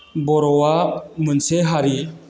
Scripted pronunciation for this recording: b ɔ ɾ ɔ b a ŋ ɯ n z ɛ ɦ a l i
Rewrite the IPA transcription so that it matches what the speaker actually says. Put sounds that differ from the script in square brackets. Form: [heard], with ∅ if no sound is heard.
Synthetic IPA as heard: b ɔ ɾ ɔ [w] a [m] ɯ n [s] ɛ ɦ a [ɾ] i